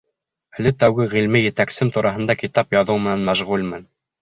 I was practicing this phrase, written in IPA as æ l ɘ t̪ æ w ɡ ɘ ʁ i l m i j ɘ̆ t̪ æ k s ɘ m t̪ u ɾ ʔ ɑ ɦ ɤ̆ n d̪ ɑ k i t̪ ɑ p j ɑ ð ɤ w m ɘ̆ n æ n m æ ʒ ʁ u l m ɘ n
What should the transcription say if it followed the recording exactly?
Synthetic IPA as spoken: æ l ɘ t̪ æ w ɡ ɘ ʁ i l m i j ɘ̆ t̪ æ k s ɘ m t̪ u ɾ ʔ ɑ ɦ ɤ̆ n d̪ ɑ k i t̪ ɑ p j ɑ ð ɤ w m ɘ̆ n æ n m æ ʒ ʁ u l m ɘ n